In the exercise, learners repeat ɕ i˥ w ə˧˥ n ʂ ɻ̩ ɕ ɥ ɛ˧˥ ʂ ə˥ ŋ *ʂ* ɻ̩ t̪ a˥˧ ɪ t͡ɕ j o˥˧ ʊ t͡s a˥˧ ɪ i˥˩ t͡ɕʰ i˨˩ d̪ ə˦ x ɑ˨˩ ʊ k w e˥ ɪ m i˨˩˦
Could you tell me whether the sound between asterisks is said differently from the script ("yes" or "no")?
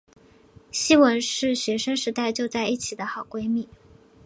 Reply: no